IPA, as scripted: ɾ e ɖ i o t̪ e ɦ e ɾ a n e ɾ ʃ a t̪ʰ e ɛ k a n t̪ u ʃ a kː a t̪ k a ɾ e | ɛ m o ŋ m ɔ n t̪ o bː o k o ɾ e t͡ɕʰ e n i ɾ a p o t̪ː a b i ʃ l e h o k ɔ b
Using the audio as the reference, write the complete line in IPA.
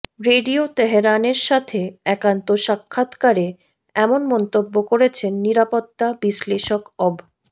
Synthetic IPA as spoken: ɾ e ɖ i o t̪ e ɦ e ɾ a n e ɾ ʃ a t̪ʰ e ɛ k a n t̪ o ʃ a kʰː a t̪ k a ɾ e | ɛ m o n m ɔ n t̪ o bː o k o ɾ e t͡ɕʰ e nː i ɾ a p o t̪ː a b i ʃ l e ʃ o k ɔ b